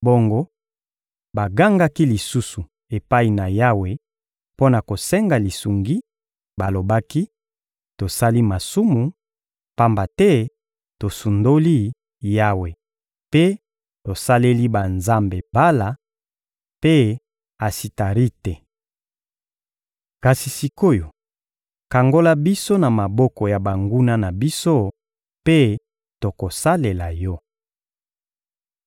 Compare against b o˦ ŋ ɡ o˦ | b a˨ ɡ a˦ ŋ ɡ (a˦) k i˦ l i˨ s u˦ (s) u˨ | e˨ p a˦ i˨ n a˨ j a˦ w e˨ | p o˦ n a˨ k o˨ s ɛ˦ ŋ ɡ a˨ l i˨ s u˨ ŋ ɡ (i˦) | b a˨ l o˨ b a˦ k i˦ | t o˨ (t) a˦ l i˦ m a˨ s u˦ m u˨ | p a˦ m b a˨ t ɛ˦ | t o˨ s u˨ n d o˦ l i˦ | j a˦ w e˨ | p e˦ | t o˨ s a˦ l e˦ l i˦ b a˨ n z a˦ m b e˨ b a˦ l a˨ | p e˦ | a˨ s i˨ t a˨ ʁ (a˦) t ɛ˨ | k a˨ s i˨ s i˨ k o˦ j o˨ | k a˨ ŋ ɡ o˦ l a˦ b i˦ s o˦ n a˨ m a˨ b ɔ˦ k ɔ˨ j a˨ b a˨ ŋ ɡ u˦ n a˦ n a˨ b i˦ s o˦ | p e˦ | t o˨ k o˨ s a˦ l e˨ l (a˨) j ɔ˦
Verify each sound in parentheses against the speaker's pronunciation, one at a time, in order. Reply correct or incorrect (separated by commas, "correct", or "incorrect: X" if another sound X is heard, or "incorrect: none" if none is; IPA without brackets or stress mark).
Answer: correct, correct, correct, incorrect: s, incorrect: i˦, correct